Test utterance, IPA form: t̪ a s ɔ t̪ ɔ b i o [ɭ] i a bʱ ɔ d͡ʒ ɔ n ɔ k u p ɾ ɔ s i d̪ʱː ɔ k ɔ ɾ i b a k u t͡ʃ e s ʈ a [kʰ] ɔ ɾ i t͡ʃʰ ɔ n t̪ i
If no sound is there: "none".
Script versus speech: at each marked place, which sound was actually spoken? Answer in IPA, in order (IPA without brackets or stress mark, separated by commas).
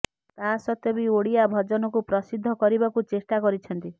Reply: ɽ, k